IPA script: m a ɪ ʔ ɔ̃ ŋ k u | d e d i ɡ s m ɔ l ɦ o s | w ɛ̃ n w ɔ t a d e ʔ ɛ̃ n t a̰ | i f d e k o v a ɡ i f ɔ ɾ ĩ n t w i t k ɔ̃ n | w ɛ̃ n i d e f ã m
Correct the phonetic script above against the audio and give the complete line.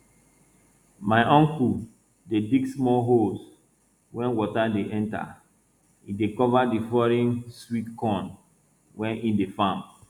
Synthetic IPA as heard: m a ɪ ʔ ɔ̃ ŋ k u | d e d i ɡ s m ɔ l ɦ o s | w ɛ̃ n w ɔ t a d e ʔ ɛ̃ n t a̰ | i d e k ɔ v a d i f ɔ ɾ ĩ n s w i t k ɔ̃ n | w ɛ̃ n i d e f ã m